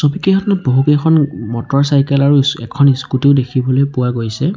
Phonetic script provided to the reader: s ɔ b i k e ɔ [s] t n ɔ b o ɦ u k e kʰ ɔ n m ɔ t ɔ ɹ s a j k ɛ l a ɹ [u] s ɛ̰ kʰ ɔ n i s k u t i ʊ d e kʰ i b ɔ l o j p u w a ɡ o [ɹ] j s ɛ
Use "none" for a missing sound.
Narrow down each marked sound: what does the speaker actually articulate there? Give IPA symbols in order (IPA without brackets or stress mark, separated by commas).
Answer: none, u, none